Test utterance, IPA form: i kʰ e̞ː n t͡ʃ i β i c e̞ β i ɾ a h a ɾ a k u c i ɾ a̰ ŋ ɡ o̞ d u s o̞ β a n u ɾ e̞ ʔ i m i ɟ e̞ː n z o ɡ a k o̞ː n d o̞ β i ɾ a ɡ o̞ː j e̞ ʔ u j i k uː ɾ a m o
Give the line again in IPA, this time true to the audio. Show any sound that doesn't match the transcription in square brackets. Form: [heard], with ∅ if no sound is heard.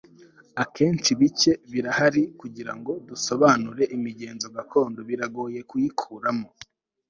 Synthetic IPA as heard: [a] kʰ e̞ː n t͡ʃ i β i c e̞ β i ɾ a h a ɾ [i] k u [ɟ] i ɾ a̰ ŋ ɡ o̞ d u s o̞ β a n u ɾ e̞ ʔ i m i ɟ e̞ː n z o ɡ a k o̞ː n d o̞ β i ɾ a ɡ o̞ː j e̞ [k] u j i [kʰ] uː ɾ a m o